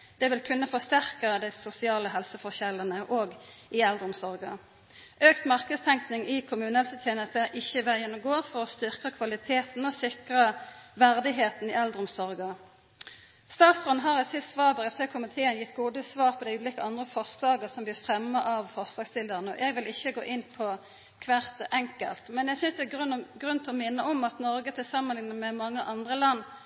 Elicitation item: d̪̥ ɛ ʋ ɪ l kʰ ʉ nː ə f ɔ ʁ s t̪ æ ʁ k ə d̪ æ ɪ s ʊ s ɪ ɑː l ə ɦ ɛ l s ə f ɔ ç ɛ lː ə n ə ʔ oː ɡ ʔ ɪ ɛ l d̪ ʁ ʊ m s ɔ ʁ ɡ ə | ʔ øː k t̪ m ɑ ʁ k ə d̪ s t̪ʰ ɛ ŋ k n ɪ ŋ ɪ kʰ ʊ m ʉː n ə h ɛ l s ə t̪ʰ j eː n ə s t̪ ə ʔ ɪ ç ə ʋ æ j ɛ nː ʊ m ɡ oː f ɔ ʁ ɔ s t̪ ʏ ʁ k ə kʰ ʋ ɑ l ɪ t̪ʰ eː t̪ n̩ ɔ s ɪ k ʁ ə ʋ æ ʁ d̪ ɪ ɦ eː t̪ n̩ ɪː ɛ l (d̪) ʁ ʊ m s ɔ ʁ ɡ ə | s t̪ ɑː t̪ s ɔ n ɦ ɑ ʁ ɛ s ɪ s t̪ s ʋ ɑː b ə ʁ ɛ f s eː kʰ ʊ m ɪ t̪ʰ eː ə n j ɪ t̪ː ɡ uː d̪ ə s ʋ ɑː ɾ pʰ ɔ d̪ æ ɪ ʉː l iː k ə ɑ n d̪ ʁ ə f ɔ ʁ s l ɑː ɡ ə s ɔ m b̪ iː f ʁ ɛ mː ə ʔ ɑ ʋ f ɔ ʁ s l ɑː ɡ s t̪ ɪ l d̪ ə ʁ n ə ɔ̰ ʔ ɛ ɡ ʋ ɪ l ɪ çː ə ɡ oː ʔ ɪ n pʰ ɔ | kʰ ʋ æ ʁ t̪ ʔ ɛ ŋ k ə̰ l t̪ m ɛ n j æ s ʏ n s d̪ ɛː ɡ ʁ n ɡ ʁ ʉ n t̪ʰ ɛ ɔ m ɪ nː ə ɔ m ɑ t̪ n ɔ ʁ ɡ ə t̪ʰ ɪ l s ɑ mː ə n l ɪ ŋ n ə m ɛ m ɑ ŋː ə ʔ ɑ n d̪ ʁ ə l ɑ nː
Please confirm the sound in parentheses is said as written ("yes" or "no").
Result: yes